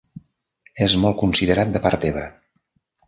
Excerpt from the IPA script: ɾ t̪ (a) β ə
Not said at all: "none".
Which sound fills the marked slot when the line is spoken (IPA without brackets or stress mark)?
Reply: e